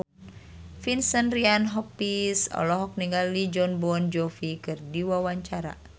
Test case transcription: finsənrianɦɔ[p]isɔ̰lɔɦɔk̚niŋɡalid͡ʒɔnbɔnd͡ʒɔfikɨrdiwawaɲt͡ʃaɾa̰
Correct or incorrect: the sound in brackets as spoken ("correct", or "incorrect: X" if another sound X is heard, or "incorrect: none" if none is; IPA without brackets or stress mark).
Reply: correct